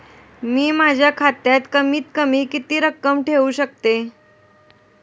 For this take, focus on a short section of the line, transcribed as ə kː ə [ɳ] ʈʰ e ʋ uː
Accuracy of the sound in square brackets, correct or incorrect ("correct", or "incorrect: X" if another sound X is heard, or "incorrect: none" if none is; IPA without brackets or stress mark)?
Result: incorrect: m